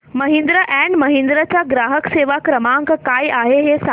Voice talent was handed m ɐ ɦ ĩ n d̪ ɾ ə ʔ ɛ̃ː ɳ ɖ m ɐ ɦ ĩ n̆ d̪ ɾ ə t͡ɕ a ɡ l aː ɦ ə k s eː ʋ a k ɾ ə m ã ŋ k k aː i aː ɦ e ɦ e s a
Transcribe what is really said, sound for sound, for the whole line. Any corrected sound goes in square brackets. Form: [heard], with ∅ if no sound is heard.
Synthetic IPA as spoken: m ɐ ɦ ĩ n d̪ ɾ ə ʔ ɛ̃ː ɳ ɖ m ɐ ɦ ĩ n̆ d̪ ɾ ə t͡ɕ a ɡ [ɾ] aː ɦ ə k s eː ʋ a k ɾ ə m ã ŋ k k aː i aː ɦ e ɦ e s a